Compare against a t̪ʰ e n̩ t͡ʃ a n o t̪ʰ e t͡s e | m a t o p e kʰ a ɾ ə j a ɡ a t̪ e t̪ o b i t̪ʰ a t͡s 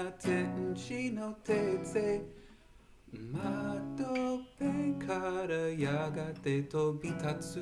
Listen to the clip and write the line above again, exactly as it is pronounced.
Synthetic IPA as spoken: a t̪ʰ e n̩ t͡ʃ i n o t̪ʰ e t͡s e | m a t o p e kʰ a ɾ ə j a ɡ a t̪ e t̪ o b i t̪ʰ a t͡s

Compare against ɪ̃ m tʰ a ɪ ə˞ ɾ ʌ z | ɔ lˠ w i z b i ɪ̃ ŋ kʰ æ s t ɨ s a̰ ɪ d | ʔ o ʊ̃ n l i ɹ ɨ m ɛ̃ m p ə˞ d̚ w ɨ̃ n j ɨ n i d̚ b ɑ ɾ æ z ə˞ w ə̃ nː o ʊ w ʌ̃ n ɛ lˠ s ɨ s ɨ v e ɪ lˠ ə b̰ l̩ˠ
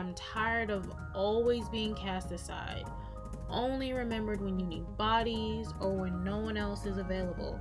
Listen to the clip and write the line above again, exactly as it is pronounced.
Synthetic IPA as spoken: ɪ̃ m tʰ a ɪ ə˞ ɾ ʌ v | ɔ lˠ w i z b i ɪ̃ ŋ kʰ æ s t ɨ s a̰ ɪ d | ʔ õ ʊ̃ n l i ɹ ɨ m ɛ̃ m b ə˞ d̚ w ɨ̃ n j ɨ n i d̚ b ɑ ɾ i z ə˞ w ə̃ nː o ʊ w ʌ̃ n ɛ lˠ s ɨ z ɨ v e ɪ lˠ ə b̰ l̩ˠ

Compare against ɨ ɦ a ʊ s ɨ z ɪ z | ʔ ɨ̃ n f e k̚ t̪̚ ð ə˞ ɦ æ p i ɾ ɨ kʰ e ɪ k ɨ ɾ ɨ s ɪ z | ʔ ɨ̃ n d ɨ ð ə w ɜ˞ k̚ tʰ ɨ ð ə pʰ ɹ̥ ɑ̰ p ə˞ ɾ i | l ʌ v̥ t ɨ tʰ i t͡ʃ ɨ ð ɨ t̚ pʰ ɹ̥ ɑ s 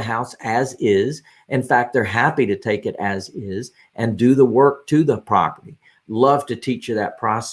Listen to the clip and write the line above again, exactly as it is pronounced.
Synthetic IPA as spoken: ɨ ɦ a ʊ s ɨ z ɪ z | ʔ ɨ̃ n f æ k̚ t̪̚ ð ə˞ ɦ æ p i ɾ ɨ tʰ e ɪ k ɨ ɾ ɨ z ɪ z | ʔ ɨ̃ n d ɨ ð ə w ɜ˞ k̚ tʰ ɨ ð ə pʰ ɹ̥ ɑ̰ p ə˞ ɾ i | l ʌ v̥ t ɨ tʰ i t͡ʃ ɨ ð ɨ t̚ pʰ ɹ̥ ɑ s

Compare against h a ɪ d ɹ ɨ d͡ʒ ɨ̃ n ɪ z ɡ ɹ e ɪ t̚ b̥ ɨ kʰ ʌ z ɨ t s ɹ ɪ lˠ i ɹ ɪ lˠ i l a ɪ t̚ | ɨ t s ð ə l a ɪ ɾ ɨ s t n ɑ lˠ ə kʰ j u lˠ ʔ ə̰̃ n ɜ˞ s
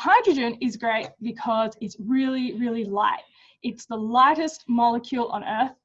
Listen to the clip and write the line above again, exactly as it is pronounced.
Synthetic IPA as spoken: h a ɪ d ɹ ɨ d͡ʒ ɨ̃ n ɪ z ɡ ɹ e ɪ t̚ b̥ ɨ kʰ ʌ z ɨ t s ɹ ɪ lˠ i ɹ ɪ lˠ i l a ɪ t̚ | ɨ t s ð ə l a ɪ ɾ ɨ s t m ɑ lˠ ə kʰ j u lˠ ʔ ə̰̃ n ɜ˞ θ

